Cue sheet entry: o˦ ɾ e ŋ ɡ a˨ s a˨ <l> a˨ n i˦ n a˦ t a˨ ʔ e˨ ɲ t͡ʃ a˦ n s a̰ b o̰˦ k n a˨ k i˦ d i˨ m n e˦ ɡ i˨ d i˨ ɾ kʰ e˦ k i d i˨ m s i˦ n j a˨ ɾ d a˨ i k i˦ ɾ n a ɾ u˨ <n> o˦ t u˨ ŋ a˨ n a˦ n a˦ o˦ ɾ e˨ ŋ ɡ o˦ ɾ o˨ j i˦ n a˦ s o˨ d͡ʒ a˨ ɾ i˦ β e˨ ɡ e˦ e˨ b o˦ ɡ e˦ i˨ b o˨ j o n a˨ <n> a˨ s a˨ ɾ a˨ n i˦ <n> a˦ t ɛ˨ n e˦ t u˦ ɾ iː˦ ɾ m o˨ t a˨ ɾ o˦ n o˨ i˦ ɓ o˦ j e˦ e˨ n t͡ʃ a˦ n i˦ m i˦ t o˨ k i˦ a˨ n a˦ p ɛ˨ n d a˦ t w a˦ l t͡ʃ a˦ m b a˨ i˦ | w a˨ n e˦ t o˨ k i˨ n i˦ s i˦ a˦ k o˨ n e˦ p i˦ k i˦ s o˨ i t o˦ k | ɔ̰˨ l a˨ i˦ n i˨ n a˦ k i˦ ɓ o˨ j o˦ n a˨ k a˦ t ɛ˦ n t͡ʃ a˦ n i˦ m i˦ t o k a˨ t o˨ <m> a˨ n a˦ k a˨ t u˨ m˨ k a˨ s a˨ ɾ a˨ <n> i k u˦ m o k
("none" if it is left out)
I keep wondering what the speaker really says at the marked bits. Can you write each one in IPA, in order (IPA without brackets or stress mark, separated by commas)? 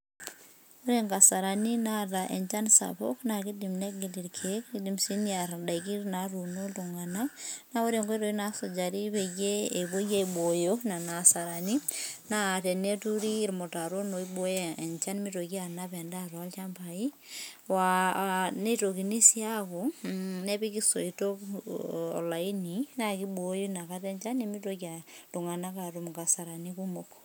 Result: ɾ, n, n, n, ŋ, n